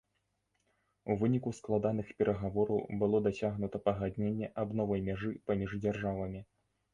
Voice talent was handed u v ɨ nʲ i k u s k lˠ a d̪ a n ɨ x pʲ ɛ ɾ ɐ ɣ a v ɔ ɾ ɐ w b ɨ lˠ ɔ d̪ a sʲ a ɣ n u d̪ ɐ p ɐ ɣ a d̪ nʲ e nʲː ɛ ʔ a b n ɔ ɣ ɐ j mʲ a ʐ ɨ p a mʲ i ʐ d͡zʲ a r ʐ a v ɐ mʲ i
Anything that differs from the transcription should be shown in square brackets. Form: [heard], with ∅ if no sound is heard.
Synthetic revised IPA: u v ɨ nʲ i k u s k lˠ a d̪ a n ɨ x pʲ ɛ ɾ ɐ ɣ a v ɔ ɾ ɐ w b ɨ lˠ ɔ d̪ a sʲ a ɣ n u [t̪] ɐ p ɐ ɣ a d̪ nʲ e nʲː ɛ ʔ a b n ɔ [v] ɐ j mʲ a ʐ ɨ p a mʲ i ʐ d͡zʲ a r ʐ a v ɐ mʲ i